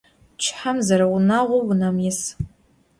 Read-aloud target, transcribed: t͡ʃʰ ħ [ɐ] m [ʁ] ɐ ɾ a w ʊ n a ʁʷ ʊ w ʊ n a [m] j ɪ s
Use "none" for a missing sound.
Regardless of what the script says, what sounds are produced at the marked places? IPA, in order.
a, z, m

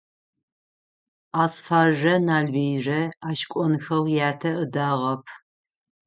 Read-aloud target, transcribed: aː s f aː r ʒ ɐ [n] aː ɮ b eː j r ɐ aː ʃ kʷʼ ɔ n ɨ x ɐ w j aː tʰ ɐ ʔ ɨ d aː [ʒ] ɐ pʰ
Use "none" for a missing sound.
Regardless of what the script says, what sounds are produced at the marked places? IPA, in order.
n, ʁ

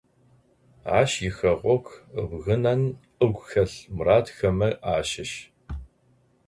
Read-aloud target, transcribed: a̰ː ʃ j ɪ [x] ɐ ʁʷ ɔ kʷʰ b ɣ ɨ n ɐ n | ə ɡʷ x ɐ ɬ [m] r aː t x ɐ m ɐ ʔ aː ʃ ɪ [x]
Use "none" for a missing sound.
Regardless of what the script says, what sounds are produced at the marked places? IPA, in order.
x, m, ʃ

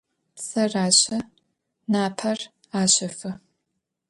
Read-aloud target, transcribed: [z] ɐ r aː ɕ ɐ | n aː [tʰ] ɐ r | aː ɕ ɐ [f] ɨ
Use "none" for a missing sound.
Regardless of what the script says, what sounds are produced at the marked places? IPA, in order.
s, pʰ, f

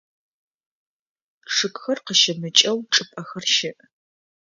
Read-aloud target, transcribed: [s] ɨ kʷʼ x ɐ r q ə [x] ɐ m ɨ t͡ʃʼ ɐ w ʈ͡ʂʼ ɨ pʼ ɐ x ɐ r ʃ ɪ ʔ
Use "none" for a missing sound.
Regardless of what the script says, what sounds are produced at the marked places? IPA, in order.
ʂ, ʃ

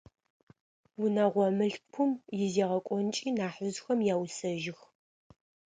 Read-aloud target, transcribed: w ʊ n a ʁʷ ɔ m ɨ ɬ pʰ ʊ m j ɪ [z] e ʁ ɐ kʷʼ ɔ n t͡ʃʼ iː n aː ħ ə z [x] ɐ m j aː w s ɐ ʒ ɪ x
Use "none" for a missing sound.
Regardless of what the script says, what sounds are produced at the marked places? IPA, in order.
z, x

